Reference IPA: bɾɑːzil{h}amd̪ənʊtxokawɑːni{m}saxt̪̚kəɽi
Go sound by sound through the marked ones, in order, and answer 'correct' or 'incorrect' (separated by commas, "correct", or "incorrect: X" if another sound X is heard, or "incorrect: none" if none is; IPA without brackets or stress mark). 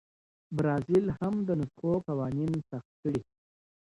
correct, incorrect: n